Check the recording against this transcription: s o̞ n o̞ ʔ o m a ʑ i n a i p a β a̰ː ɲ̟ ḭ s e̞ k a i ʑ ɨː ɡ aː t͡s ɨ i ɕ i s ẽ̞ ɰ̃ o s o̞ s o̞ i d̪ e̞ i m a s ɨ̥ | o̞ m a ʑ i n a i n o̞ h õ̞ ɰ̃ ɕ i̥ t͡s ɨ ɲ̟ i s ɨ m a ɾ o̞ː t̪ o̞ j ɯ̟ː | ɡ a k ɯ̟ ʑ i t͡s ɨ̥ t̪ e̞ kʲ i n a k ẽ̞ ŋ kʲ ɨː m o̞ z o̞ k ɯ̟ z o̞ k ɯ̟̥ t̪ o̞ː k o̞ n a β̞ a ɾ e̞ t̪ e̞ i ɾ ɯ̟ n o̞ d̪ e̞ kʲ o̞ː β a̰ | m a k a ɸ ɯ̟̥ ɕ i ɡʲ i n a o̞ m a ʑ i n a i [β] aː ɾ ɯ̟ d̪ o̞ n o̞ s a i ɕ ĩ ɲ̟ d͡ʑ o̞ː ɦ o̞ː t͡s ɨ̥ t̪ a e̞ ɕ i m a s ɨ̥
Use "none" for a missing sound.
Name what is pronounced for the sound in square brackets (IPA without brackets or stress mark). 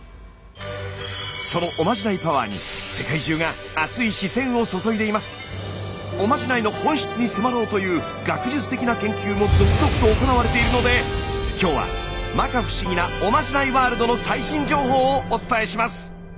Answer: β